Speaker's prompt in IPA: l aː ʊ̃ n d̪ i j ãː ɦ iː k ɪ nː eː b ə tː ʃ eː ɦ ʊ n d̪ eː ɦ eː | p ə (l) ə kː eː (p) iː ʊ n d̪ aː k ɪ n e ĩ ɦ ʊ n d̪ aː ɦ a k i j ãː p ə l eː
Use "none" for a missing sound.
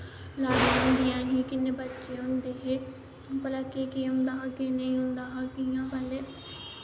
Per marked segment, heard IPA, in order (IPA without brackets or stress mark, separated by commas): l, k